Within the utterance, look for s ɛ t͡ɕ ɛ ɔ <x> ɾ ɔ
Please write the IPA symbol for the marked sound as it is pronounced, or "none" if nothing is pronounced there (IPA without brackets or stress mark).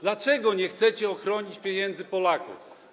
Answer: x